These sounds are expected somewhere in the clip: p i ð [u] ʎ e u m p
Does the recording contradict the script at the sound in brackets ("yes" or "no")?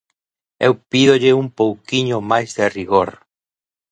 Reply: yes